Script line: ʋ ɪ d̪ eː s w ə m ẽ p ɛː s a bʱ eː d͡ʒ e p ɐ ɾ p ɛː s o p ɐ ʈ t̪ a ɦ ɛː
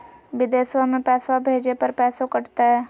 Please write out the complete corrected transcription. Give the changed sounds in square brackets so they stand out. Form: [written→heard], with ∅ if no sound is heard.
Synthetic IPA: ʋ ɪ d̪ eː s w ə m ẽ p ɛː s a bʱ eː d͡ʒ e p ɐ ɾ p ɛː s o [p→k] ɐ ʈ t̪ a ɦ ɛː